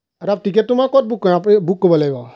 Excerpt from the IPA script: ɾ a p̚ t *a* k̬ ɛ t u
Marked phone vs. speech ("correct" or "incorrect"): incorrect